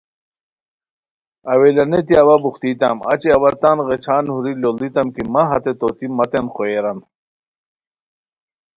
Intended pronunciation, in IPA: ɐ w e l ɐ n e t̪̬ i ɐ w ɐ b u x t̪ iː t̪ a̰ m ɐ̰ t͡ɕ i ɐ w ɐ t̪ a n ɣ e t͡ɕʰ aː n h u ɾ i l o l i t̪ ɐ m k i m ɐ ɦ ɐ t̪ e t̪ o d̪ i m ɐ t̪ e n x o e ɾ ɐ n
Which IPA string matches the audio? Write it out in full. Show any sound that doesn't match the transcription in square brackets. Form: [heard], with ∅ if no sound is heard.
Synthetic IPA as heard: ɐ w e l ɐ n e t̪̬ i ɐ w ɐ b u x t̪ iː t̪ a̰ m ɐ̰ t͡ɕ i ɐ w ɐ t̪ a n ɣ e t͡ɕʰ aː n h u ɾ i l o l i t̪ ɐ m k i m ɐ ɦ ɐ t̪ e t̪ o [t̪] i m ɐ t̪ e n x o e ɾ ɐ n